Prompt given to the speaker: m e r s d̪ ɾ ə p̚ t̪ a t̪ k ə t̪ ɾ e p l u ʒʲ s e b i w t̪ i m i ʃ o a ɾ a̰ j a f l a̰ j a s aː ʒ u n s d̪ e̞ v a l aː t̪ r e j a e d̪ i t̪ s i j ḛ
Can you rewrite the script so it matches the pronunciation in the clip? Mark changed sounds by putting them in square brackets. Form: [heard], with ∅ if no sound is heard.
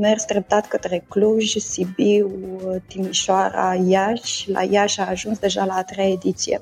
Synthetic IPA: m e r s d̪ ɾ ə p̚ t̪ a t̪ k ə t̪ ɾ e [k] l u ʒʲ s [i] b i w t̪ i m i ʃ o a ɾ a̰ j a [ʃ] l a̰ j a [ʃ] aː ʒ u n s d̪ e̞ [ʒ] a l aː t̪ [ɾ] e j a e d̪ i t̪ s i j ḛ